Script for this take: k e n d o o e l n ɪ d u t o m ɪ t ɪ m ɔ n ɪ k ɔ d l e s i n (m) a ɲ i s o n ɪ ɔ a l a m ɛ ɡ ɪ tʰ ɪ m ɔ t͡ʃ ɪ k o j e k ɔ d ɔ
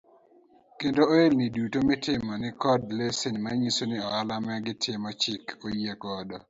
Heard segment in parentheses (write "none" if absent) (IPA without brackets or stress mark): m